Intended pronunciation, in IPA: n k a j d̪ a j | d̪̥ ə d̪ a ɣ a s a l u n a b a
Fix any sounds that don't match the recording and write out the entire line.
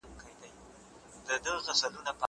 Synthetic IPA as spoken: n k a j d̪ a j | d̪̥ ə d̪ ə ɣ a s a l u n a p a

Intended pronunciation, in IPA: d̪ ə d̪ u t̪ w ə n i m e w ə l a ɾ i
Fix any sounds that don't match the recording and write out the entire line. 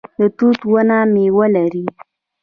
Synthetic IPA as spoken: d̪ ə t̪ u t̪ w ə n a m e w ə l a ɾ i

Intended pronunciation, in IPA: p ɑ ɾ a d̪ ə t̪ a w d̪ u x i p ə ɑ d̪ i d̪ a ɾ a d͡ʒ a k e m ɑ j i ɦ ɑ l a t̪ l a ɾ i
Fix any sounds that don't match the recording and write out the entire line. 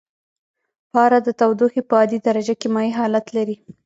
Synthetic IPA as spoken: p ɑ ɾ a d̪ ə t̪ a w d̪ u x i p ə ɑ d̪ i d̪ a ɾ a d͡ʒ a k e m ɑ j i ɦ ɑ l a t̪ l a ɾ i

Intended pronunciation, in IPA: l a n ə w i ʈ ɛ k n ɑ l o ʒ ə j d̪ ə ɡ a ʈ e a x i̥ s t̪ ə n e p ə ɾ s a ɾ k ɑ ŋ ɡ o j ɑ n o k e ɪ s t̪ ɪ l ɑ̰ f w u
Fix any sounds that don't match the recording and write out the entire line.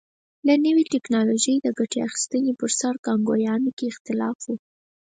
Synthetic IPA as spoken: l a n ə w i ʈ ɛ k n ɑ l o ʒ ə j d̪ ə ɡ a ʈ e a x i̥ s t̪ ə n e p ə ɾ s a ɾ k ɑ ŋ ɡ o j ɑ n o k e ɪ x t̪ ɪ l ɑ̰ f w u

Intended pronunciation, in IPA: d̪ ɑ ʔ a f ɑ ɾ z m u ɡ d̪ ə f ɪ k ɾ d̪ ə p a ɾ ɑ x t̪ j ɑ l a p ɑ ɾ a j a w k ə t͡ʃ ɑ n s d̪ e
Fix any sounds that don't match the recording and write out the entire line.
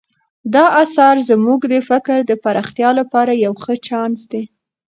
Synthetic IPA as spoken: d̪ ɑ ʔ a s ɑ ɾ z m u ɡ d̪ ə f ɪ k ɾ d̪ ə p a ɾ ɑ x t̪ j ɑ l a p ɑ ɾ a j a w x ə t͡ʃ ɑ n s d̪ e

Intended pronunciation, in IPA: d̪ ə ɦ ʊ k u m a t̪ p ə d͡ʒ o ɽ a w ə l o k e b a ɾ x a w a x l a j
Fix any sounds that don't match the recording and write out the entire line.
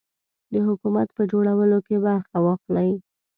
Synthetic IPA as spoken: d̪ ə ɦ ʊ k u m a t̪ p ə d͡ʒ o ɽ a w ə l o k e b a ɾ x a w ɑ x l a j

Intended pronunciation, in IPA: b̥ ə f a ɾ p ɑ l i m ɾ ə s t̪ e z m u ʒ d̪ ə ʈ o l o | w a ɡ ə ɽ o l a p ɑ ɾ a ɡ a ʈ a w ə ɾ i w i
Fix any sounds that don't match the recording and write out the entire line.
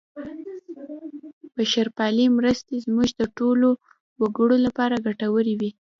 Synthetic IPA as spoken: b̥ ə ʃ a ɾ p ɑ l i m ɾ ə s t̪ e z m u ʒ d̪ ə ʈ o l o | w a ɡ ə ɽ o l a p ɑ ɾ a ɡ a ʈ a w ə ɾ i w i

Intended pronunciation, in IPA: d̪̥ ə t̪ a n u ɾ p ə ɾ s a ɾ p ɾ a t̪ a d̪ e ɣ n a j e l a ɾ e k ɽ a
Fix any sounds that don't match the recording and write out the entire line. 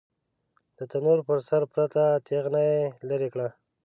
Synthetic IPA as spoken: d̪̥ ə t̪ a n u ɾ p ə ɾ s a ɾ p ɾ a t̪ a t̪ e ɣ n a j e l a ɾ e k ɽ a

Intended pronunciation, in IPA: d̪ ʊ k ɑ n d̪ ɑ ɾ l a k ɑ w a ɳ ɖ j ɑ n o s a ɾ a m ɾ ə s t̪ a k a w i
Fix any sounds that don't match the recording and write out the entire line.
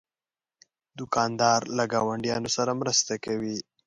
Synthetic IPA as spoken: d̪ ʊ k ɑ n d̪ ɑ ɾ l a ɡ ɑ w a ɳ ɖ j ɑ n o s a ɾ a m ɾ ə s t̪ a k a w i

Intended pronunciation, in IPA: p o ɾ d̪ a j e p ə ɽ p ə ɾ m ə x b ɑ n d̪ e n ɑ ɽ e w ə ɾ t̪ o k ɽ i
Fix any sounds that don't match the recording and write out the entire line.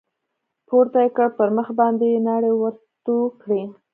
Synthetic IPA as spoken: p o ɾ t̪ a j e k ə ɽ p ə ɾ m ə x b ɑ n d̪ e n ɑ ɽ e w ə ɾ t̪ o k ɽ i

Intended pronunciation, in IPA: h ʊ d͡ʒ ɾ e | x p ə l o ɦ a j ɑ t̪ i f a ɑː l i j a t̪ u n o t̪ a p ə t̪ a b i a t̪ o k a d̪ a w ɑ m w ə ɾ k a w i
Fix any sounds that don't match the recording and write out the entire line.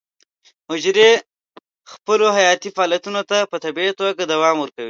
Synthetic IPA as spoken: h ʊ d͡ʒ ɾ e | x p ə l o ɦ a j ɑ t̪ i f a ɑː l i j a t̪ u n o t̪ a p ə t̪ a b i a t̪ o ɡ a d̪ a w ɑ m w ə ɾ k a w i

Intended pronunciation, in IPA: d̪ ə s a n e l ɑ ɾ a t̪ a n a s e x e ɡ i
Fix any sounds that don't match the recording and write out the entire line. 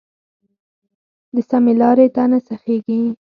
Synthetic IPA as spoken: d̪ ə s a m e l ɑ ɾ e t̪ a n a s a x e ɡ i

